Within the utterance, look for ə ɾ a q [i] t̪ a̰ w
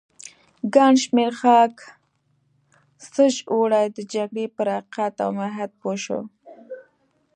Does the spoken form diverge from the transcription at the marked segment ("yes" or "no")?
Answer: yes